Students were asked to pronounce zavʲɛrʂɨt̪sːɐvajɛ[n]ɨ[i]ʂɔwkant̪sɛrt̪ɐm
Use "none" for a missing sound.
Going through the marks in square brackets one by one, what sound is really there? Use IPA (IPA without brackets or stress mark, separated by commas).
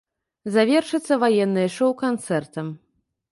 nː, j